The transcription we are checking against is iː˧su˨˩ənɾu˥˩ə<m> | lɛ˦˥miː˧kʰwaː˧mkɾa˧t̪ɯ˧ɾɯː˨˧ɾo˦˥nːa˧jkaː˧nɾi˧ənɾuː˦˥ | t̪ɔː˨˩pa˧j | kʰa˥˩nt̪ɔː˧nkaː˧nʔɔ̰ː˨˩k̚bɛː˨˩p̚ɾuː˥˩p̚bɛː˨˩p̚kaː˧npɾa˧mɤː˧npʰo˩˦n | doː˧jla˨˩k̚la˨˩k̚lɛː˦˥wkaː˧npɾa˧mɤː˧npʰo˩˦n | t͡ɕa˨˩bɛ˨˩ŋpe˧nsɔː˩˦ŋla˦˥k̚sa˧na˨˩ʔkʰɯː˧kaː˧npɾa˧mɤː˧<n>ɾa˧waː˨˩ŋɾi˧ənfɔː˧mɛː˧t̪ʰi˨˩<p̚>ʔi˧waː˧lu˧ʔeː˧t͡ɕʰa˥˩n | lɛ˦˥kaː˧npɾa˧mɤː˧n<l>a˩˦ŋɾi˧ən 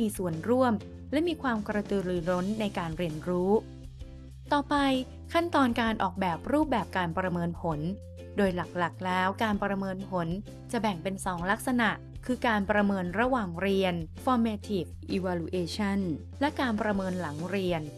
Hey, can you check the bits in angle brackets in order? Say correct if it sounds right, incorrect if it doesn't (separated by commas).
correct, correct, incorrect, correct